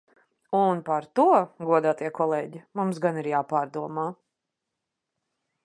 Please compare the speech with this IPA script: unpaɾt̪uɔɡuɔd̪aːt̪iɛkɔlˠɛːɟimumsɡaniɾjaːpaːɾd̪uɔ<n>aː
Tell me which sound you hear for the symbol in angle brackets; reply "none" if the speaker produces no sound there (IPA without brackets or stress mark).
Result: m